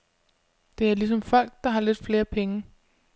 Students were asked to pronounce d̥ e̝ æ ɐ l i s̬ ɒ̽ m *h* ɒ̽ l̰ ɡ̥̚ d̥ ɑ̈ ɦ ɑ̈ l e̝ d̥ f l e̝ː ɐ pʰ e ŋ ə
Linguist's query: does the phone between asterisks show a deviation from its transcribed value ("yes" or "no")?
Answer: yes